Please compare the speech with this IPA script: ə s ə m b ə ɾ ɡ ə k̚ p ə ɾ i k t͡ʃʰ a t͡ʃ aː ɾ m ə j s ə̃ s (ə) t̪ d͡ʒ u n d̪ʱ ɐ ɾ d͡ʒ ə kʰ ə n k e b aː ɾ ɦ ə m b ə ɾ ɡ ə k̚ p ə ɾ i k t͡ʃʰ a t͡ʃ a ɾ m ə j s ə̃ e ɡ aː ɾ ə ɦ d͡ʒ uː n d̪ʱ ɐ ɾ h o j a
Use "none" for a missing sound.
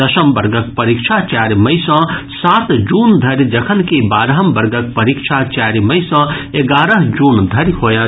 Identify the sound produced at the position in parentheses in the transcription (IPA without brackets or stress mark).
a